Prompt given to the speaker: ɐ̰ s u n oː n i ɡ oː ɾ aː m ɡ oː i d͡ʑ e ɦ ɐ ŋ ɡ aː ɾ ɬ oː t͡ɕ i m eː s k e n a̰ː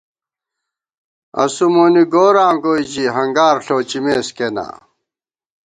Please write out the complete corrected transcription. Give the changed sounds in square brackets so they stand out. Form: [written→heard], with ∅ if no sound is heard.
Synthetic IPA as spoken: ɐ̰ s u [n→m] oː n i ɡ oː ɾ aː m ɡ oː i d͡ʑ [e→i] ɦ ɐ ŋ ɡ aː ɾ ɬ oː t͡ɕ i m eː s k e n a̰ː